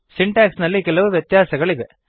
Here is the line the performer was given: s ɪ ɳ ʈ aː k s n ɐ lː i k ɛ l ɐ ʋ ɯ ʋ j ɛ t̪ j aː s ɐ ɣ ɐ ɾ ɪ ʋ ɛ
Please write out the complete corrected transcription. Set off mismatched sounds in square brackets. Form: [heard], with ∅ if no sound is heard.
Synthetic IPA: s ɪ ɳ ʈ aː k s n ɐ lː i k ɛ l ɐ ʋ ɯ ʋ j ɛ t̪ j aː s ɐ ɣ ɐ [ɭ] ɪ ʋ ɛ